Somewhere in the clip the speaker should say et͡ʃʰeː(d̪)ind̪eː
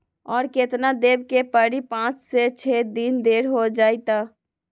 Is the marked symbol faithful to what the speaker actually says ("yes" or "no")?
yes